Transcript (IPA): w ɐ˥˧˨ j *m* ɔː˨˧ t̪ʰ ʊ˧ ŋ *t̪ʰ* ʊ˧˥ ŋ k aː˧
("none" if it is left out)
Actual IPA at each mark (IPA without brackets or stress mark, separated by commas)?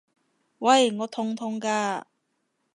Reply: ŋ, t̪ʰ